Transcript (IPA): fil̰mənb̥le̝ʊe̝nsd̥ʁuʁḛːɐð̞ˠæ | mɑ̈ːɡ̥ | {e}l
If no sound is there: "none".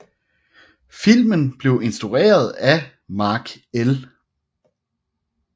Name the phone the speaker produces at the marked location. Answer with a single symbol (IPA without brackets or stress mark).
e